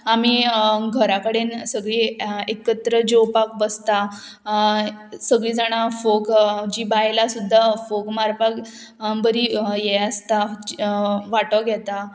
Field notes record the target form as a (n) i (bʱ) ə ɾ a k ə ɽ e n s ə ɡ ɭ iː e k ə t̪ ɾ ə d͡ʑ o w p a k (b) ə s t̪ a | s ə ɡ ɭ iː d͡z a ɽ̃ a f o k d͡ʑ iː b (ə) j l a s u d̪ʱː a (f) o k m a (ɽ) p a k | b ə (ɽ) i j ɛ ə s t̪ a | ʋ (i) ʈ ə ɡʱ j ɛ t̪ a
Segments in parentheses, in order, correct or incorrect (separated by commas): incorrect, incorrect, correct, incorrect, correct, incorrect, incorrect, incorrect